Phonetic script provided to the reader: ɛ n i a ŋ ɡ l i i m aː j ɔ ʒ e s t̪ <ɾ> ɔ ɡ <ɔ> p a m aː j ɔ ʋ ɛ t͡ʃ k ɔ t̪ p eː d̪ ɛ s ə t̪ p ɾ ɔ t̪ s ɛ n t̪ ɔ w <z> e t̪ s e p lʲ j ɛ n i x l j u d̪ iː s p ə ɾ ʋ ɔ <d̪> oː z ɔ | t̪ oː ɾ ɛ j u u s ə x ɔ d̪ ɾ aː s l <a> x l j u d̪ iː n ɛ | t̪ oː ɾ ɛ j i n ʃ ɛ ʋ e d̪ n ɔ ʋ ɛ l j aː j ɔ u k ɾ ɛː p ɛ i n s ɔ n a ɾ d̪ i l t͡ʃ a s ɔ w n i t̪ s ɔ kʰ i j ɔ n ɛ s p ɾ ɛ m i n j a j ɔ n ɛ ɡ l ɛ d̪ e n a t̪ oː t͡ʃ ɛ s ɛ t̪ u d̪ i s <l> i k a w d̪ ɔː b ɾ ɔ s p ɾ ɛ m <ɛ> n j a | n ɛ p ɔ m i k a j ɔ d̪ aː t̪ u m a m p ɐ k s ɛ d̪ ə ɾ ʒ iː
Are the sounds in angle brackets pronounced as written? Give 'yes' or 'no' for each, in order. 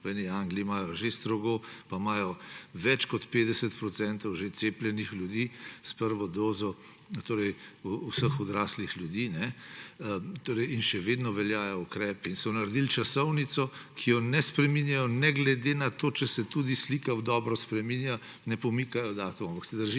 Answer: yes, no, no, yes, no, yes, no

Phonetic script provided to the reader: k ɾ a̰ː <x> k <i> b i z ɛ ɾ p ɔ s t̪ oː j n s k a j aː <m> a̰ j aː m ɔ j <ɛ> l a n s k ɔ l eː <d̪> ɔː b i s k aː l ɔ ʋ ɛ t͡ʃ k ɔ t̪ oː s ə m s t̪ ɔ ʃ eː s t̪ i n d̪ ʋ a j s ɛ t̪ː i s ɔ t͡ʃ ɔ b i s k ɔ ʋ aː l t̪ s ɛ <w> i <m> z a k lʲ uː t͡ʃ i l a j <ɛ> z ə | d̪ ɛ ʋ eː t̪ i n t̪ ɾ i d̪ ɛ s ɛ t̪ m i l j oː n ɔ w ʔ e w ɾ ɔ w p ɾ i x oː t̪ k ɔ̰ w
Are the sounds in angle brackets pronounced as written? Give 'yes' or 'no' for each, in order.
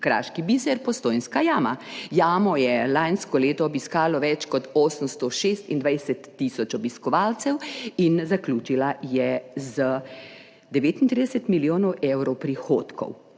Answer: no, yes, yes, yes, no, yes, no, yes

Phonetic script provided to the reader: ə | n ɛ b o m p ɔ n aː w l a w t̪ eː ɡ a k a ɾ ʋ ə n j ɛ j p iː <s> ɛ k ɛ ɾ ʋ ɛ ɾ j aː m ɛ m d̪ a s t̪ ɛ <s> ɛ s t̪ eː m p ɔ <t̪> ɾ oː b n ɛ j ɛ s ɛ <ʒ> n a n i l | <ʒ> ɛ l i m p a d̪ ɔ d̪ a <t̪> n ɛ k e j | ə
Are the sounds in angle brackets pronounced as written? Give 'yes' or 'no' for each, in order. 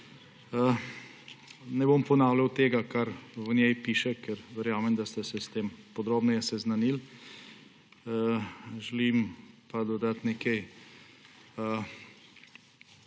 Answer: no, yes, no, no, yes, yes

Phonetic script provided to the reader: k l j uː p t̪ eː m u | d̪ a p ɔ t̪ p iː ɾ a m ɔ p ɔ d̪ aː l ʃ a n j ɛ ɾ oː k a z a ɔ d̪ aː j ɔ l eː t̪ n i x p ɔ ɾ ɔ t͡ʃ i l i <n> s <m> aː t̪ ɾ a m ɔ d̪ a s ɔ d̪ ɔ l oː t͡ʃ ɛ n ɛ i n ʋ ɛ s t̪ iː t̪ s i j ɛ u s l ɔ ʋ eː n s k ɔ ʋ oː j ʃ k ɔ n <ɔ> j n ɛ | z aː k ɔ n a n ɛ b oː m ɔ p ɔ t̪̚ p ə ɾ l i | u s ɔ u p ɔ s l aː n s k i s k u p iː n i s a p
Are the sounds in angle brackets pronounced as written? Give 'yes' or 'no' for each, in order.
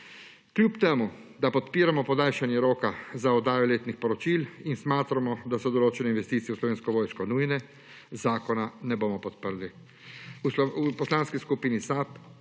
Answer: yes, yes, no

